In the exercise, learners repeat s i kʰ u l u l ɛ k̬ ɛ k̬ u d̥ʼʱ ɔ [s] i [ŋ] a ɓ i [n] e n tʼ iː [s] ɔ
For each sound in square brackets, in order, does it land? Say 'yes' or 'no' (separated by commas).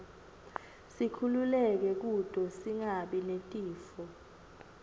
yes, yes, yes, no